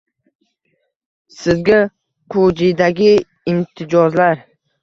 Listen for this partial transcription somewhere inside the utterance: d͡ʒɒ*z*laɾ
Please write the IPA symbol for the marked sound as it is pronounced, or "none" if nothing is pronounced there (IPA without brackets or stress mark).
z